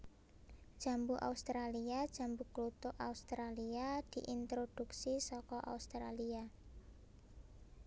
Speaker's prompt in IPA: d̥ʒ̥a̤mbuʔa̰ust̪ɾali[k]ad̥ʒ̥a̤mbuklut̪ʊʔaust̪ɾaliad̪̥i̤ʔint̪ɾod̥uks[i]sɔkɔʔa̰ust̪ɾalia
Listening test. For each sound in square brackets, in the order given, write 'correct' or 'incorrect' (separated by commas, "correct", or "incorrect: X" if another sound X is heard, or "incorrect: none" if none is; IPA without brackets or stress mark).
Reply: incorrect: none, correct